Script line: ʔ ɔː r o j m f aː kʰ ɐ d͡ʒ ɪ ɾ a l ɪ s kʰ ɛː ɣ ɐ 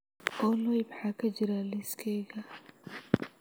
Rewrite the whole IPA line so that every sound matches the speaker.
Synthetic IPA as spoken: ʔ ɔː l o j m ħ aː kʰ ɐ d͡ʒ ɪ ɾ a l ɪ s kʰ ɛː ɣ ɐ